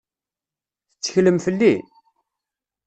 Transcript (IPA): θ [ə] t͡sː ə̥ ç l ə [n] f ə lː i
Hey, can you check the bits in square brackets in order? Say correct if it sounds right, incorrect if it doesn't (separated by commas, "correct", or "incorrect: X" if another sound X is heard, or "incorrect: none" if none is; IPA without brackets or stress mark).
correct, incorrect: m